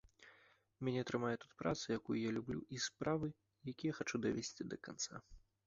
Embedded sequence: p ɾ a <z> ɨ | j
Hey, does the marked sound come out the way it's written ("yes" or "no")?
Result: no